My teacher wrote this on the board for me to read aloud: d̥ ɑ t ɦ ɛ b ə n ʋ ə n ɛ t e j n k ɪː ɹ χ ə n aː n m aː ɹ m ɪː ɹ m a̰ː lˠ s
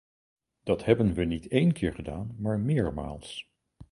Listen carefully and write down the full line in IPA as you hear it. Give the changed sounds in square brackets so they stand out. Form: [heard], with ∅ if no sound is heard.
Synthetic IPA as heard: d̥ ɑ t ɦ ɛ b ə n ʋ ə n [i] t e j n k ɪː ɹ χ ə [d] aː n m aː ɹ m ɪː ɹ m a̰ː lˠ s